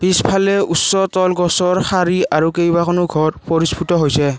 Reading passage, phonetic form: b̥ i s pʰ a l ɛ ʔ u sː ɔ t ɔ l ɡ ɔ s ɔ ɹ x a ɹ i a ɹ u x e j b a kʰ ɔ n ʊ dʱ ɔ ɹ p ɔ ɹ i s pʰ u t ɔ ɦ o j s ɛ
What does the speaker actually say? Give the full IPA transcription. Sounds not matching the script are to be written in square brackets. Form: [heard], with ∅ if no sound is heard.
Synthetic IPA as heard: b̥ i s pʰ a l ɛ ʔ u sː ɔ t ɔ l ɡ ɔ s ɔ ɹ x a ɹ i a ɹ u [k] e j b a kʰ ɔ n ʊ [ɡʱ] ɔ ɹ p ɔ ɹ i s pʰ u t ɔ ɦ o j s ɛ